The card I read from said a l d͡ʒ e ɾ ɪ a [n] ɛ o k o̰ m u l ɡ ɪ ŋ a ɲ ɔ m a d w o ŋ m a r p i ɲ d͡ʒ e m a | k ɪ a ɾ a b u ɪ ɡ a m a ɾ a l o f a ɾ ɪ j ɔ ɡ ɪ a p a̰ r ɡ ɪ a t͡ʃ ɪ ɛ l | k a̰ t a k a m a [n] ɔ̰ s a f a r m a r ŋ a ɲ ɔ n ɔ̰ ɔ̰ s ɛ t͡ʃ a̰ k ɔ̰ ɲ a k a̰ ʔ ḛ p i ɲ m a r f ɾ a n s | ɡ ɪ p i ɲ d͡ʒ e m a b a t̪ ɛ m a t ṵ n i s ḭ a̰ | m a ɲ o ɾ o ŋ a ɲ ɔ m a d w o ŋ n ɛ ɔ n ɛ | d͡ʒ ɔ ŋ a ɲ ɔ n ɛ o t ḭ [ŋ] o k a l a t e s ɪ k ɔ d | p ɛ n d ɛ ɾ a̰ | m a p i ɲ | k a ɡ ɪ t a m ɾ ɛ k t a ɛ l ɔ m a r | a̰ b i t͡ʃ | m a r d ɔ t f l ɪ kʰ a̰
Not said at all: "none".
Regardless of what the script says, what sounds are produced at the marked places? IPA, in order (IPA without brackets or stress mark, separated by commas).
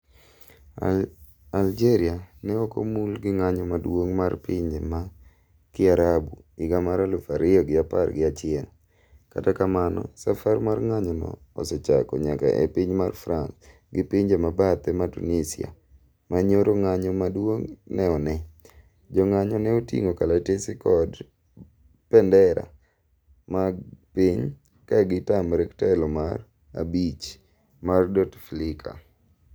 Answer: n, n, ŋ